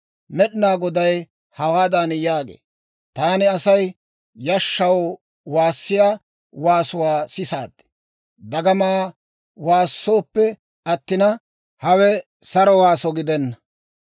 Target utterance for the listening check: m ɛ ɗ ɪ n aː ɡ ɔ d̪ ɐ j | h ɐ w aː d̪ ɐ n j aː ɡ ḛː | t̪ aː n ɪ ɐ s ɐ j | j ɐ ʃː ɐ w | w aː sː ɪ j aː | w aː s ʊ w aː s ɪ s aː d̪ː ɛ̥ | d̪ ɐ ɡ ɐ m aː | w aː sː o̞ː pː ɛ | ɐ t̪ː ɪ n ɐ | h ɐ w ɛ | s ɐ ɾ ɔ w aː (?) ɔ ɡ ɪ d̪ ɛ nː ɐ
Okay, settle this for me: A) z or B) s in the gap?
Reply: B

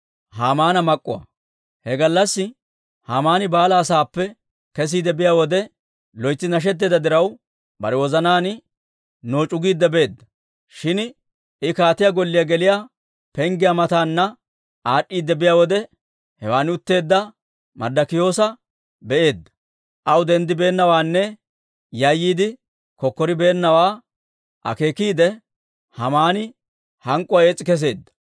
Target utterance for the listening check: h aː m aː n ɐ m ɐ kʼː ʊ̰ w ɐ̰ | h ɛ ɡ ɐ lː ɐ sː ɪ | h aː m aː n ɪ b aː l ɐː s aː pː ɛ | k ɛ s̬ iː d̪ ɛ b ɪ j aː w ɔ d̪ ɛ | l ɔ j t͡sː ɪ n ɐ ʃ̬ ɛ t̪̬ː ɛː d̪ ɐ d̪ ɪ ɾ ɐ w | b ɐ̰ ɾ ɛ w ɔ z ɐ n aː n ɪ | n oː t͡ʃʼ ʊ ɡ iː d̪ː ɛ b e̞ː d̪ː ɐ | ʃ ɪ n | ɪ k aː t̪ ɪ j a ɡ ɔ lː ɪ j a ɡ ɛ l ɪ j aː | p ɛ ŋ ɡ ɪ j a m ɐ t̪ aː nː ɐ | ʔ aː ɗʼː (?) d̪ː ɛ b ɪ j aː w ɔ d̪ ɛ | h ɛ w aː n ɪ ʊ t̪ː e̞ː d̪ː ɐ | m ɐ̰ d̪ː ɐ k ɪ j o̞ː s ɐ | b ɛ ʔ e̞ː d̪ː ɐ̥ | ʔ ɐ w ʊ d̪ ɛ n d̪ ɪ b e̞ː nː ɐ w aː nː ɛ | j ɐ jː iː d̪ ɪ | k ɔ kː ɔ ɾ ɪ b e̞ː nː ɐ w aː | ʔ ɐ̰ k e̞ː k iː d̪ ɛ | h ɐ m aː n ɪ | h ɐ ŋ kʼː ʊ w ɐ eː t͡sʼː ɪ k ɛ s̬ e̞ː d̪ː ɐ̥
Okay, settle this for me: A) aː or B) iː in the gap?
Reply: B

